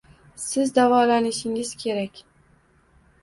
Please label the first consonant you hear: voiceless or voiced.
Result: voiceless